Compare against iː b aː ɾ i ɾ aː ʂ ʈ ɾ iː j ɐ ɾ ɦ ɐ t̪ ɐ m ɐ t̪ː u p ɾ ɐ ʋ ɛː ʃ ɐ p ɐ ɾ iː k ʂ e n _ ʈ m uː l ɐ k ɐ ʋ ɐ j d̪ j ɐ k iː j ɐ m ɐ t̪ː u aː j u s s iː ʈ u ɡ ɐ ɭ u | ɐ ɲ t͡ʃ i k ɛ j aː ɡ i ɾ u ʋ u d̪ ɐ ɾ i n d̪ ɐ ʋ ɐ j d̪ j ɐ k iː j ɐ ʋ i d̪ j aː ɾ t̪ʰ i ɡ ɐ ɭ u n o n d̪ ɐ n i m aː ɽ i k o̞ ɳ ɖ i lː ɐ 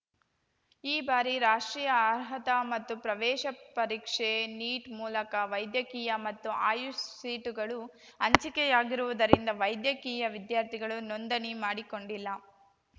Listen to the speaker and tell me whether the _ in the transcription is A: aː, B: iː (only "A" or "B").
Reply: B